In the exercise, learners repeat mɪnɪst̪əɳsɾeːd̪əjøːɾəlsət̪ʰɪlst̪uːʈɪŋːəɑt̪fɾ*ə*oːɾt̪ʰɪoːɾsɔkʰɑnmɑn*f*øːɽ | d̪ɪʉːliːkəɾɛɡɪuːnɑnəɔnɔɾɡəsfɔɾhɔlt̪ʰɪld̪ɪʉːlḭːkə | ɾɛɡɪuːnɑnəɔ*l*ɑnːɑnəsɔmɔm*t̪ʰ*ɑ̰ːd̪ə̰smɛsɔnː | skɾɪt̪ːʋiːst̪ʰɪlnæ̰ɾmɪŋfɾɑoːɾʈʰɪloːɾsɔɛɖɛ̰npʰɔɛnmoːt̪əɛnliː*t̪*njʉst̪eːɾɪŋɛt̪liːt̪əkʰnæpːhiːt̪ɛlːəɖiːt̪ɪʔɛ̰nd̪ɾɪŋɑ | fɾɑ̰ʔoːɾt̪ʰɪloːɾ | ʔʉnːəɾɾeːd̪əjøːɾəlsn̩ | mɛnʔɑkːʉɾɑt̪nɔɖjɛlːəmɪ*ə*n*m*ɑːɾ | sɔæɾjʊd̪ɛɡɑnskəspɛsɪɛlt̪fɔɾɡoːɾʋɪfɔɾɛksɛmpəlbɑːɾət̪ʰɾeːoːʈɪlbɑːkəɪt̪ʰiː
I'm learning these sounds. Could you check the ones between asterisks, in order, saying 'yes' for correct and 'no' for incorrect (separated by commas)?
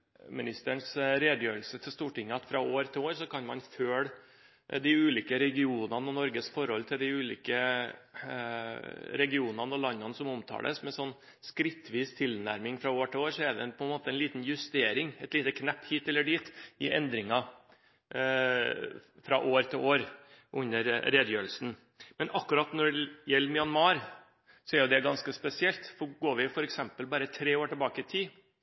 no, yes, yes, yes, yes, no, yes